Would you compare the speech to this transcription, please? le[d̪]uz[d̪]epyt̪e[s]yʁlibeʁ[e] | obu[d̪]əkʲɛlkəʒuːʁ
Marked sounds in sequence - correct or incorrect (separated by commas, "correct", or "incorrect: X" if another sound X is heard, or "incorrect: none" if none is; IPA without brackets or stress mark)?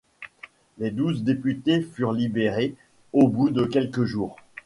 correct, correct, incorrect: f, correct, correct